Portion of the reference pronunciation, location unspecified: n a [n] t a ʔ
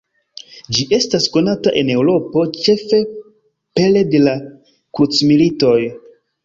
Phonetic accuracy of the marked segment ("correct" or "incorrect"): incorrect